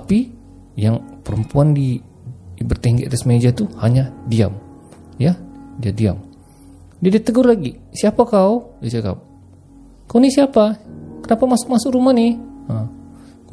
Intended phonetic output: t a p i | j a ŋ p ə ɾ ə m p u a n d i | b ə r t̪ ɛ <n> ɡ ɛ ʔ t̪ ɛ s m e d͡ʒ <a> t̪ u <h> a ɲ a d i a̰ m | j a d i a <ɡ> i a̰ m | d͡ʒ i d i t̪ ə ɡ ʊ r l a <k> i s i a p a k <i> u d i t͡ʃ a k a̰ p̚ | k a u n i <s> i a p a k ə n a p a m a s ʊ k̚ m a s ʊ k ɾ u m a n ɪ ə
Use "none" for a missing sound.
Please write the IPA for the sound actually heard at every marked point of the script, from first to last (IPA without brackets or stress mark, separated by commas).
ŋ, a, h, d, ɡ, a, s